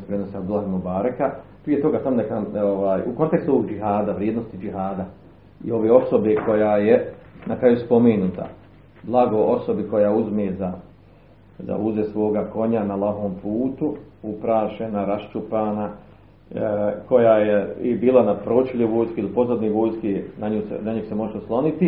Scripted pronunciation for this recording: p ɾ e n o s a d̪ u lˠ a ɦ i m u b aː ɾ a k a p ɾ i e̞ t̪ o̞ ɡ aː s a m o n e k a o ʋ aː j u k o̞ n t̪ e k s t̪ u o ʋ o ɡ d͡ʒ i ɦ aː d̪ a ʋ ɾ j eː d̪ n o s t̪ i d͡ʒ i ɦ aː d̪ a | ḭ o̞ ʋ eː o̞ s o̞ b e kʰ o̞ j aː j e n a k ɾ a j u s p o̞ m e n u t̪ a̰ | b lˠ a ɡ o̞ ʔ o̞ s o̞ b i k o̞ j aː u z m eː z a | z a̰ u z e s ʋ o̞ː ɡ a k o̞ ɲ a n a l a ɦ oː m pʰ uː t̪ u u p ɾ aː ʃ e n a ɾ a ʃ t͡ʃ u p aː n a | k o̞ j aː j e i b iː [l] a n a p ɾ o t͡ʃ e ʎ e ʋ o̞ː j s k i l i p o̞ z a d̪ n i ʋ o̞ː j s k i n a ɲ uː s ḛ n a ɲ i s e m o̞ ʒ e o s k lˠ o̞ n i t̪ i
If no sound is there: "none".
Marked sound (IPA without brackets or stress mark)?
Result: l